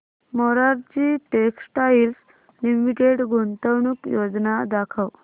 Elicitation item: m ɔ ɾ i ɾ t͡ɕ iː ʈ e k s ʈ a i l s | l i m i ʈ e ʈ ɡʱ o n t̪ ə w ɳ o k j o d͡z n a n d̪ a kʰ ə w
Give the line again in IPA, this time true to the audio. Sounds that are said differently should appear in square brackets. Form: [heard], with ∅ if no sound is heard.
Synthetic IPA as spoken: m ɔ ɾ [a] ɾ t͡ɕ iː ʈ e k s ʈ a i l s | l i m i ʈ e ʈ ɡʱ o n t̪ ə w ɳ [u] k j o d͡z n a [∅] d̪ a kʰ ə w